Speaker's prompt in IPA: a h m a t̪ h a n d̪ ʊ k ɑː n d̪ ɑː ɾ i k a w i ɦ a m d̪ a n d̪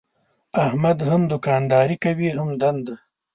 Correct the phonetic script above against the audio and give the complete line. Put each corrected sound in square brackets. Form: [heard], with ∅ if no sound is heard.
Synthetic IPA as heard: a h m a [d̪] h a [m] d̪ ʊ k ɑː n d̪ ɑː ɾ i k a w i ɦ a m d̪ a n d̪

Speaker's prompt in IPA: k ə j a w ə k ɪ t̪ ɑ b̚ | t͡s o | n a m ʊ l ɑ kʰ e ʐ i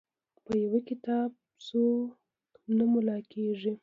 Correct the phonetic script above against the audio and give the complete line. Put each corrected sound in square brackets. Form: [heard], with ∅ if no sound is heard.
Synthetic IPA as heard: [p] ə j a w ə k ɪ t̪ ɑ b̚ | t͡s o | n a m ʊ l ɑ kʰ e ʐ i

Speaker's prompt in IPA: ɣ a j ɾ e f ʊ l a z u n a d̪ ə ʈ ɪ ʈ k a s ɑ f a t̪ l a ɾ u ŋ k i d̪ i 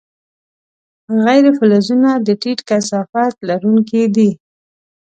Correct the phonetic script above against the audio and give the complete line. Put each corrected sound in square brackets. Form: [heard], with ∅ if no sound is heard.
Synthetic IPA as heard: ɣ a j ɾ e f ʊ l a z u n a d̪ ə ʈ [i] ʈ k a s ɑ f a t̪ l a ɾ u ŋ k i d̪ i

